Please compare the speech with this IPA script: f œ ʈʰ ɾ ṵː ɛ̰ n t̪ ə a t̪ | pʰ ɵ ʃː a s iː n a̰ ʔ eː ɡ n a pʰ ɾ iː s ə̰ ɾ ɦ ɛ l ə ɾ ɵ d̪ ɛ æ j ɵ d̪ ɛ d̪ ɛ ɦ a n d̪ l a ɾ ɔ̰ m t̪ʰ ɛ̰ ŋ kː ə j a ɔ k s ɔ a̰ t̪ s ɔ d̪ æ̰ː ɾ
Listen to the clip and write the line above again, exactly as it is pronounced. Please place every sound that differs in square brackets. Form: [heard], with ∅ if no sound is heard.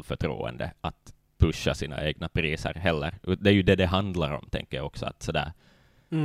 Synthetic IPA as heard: f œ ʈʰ ɾ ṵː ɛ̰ n [d̪] ə a t̪ | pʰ ɵ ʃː a s iː n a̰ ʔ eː ɡ n a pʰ ɾ iː s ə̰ ɾ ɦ ɛ [lː] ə ɾ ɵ d̪ ɛ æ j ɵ d̪ ɛ d̪ ɛ ɦ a n d̪ l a ɾ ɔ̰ m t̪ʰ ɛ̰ ŋ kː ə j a ɔ k s ɔ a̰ t̪ s ɔ d̪ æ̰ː ɾ